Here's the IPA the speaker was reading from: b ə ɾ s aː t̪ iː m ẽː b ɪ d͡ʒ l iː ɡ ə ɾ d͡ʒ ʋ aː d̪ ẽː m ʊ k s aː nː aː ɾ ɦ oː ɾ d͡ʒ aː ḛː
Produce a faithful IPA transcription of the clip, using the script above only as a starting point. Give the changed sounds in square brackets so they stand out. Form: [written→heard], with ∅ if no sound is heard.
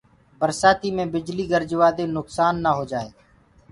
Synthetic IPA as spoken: b ə ɾ s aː t̪ iː m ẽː b ɪ d͡ʒ l iː ɡ ə ɾ d͡ʒ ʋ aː d̪ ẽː [m→n] ʊ k s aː nː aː [ɾ→∅] ɦ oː [ɾ→∅] d͡ʒ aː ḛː